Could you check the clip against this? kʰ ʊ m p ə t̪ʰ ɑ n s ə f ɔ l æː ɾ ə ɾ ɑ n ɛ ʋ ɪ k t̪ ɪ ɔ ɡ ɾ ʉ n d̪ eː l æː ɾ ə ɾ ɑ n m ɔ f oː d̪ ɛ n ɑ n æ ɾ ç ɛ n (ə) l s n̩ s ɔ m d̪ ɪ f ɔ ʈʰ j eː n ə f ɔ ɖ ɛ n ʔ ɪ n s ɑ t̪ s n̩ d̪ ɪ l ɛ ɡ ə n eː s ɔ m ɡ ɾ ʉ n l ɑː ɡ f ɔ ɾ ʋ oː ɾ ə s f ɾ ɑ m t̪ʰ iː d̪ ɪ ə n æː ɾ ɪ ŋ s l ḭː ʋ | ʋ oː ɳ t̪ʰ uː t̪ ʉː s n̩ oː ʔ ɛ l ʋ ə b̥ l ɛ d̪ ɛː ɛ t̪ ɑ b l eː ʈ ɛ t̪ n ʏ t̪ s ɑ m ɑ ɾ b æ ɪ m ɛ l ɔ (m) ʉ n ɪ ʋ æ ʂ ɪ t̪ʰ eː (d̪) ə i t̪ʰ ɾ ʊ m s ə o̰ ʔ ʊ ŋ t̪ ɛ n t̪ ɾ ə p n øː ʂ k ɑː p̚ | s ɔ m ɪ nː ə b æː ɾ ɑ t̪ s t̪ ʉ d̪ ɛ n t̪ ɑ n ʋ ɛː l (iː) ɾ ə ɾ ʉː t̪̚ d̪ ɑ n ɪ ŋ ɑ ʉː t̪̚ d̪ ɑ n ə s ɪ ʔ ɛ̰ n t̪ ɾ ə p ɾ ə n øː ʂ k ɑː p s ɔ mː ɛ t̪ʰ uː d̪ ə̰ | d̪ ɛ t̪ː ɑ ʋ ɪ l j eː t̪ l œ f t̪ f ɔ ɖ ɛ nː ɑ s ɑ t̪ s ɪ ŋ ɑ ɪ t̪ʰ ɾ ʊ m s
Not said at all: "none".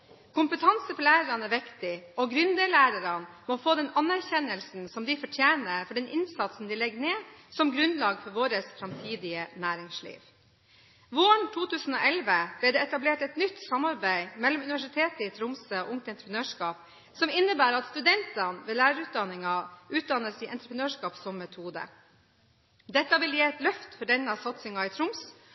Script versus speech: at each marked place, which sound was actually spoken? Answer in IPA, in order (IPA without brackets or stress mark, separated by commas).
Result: ə, m, t̪, æː